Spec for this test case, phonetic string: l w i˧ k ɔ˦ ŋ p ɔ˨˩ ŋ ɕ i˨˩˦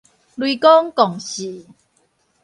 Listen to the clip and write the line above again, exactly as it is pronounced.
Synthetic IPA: l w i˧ k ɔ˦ ŋ k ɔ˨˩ ŋ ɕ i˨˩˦